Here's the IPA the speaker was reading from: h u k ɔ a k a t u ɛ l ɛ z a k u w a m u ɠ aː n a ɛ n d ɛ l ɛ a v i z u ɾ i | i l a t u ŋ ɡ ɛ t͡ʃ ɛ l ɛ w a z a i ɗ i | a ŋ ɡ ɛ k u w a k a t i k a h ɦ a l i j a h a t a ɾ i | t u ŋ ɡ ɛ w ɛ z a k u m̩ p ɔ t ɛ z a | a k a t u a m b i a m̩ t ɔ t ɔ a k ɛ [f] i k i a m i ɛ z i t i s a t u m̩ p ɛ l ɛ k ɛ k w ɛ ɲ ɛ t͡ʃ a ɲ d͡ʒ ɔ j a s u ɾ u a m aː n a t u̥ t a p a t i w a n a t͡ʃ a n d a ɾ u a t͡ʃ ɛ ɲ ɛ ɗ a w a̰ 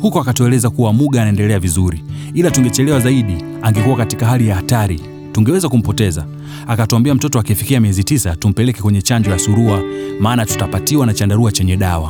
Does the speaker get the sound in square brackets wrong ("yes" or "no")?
no